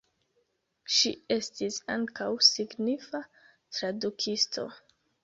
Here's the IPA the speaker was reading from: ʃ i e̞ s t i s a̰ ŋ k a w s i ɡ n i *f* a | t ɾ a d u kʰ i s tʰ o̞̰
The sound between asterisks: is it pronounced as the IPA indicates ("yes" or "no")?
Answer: yes